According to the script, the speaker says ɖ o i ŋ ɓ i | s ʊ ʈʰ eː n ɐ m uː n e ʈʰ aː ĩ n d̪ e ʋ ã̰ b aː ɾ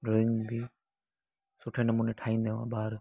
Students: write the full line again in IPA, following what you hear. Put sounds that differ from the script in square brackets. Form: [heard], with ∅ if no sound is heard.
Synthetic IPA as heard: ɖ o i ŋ [b] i | s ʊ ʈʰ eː n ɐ m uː n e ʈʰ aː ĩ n d̪ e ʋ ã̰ b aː ɾ